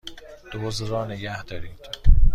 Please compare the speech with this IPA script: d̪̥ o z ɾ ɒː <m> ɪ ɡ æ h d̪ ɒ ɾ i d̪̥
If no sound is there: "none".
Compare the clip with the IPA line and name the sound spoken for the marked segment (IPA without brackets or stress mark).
n